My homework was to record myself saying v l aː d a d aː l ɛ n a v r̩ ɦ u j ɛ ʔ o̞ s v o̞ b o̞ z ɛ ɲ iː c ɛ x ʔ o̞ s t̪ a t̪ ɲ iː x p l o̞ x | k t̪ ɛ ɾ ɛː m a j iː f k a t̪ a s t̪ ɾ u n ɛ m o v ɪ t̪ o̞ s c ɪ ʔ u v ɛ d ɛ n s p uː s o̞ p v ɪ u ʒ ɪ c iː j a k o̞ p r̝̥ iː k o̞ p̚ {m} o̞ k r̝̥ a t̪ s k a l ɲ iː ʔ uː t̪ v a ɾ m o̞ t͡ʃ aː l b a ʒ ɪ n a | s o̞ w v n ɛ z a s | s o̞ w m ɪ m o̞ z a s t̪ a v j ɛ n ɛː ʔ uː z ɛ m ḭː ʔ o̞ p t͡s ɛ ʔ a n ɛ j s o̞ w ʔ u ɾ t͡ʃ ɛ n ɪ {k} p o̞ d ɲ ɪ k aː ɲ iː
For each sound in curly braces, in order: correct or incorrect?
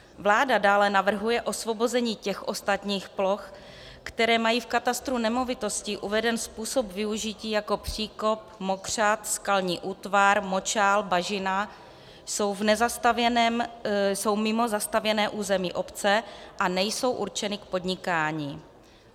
correct, correct

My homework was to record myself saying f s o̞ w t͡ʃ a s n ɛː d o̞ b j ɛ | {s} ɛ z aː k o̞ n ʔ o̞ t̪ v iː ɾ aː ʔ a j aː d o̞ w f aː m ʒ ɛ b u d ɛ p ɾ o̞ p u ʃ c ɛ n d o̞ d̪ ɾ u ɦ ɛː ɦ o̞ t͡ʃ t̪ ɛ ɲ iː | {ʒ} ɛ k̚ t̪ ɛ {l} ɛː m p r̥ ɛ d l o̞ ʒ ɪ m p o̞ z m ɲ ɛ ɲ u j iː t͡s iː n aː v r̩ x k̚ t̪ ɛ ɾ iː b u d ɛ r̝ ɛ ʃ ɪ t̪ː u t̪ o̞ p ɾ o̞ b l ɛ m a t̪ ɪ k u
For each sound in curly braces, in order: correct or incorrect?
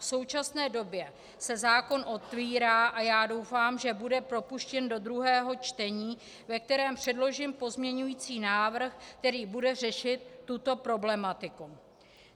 correct, incorrect: v, incorrect: ɾ

